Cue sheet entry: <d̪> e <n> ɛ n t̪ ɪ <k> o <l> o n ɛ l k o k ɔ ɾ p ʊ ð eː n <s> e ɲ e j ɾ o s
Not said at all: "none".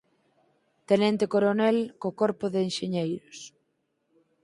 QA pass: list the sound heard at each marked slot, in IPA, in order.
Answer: t̪, n, k, ɾ, ʃ

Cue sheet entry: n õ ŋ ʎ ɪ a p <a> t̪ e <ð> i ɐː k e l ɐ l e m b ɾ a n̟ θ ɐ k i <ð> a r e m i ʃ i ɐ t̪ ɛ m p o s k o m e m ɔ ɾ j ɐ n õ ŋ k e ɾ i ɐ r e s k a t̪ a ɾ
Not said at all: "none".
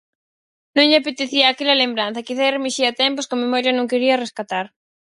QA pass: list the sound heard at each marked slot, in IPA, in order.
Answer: e, θ, θ

